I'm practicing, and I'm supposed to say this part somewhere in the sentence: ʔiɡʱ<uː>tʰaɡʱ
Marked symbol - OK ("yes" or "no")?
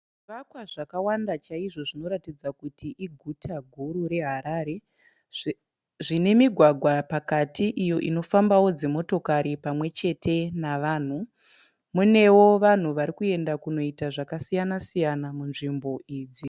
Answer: no